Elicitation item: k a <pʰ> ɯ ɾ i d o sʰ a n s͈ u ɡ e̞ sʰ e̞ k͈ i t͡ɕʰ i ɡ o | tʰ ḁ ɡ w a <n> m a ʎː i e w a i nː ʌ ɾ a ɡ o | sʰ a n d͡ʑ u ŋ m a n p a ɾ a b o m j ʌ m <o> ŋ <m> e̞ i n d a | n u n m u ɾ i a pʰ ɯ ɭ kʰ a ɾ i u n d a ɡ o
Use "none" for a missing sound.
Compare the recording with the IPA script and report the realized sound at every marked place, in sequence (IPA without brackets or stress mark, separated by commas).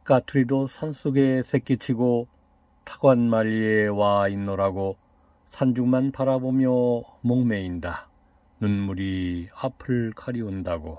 tʰ, n, o, m